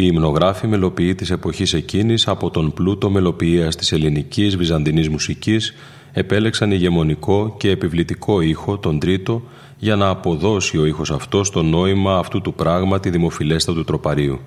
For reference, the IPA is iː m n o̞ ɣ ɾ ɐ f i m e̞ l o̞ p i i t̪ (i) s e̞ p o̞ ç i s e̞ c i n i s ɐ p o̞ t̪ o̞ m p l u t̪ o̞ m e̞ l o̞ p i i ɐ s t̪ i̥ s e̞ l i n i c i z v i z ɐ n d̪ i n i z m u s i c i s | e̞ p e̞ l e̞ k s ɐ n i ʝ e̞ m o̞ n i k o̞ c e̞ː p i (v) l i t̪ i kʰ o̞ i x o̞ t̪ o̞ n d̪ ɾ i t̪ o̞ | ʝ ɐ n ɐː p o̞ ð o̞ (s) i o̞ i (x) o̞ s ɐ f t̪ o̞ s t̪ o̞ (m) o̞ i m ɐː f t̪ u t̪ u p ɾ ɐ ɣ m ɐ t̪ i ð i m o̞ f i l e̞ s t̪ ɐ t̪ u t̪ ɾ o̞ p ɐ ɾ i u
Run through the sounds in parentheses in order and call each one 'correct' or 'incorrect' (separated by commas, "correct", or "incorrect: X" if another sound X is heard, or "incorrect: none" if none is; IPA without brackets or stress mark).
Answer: correct, correct, correct, correct, incorrect: n